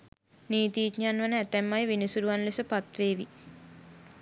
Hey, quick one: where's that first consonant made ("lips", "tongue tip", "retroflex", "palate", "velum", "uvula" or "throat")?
tongue tip